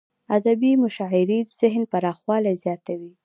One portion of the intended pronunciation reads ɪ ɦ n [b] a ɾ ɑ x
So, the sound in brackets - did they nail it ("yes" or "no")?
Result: no